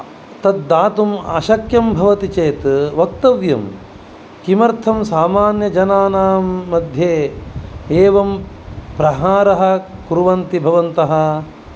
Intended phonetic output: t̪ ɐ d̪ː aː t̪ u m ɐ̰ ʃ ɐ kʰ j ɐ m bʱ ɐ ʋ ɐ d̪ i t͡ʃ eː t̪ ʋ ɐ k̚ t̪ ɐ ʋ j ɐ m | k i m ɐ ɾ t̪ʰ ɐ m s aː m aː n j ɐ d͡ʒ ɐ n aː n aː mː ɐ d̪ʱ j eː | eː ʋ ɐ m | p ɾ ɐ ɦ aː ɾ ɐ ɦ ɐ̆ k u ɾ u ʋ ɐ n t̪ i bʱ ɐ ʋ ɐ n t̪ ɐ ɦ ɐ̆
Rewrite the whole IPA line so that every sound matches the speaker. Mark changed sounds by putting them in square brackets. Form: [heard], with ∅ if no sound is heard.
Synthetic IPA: t̪ ɐ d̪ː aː t̪ u m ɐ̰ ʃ ɐ [k] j ɐ m bʱ ɐ ʋ ɐ [t̪] i t͡ʃ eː t̪ ʋ ɐ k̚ t̪ ɐ ʋ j ɐ m | k i m ɐ ɾ t̪ʰ ɐ m s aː m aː n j ɐ d͡ʒ ɐ n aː n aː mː ɐ d̪ʱ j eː | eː ʋ ɐ m | p ɾ ɐ ɦ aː ɾ ɐ ɦ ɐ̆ k u ɾ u ʋ ɐ n t̪ i bʱ ɐ ʋ ɐ n t̪ ɐ ɦ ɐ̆